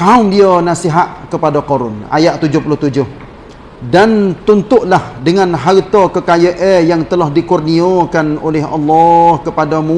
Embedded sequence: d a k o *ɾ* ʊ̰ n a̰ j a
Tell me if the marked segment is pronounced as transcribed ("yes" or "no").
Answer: yes